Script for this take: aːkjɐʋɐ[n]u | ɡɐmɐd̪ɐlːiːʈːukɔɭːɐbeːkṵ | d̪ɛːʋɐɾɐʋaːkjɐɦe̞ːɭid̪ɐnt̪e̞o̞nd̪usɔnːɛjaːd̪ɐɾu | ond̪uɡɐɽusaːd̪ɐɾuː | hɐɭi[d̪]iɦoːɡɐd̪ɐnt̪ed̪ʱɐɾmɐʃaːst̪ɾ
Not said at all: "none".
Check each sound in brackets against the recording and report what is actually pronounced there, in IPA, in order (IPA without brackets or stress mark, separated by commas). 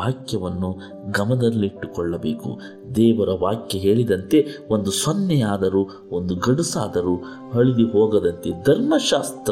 nː, d̪